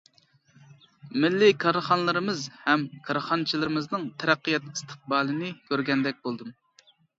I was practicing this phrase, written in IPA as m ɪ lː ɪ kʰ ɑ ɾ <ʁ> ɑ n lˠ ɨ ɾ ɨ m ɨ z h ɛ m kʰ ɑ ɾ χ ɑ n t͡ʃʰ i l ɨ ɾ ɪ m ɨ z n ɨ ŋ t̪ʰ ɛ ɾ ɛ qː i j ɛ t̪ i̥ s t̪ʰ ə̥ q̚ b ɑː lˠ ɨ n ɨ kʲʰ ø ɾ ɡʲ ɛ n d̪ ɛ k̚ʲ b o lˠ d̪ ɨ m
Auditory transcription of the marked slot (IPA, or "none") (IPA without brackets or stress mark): χ